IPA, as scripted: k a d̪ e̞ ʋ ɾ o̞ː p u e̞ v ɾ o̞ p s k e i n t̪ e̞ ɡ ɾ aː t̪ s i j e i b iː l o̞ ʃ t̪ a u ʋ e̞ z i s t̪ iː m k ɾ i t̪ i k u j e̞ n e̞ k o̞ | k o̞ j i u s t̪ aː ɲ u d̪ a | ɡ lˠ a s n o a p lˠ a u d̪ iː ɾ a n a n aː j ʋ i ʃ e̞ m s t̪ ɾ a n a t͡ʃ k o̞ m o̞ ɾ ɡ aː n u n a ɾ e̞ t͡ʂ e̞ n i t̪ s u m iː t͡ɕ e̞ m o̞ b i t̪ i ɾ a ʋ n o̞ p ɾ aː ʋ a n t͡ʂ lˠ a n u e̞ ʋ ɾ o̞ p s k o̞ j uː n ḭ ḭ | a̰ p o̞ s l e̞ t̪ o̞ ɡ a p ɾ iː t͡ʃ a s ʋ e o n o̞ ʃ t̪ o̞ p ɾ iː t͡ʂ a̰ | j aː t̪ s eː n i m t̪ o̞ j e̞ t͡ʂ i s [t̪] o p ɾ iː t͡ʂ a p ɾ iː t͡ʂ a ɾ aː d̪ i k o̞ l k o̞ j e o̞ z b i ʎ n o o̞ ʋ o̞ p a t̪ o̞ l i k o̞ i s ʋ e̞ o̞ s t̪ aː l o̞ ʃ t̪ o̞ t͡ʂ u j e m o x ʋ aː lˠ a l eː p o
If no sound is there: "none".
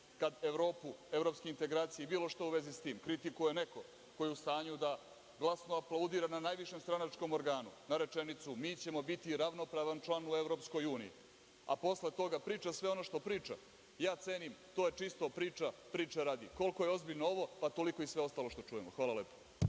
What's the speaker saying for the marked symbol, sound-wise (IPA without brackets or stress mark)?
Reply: t̪